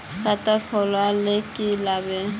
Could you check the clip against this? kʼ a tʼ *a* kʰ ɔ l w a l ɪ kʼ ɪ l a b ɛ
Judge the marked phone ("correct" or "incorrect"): correct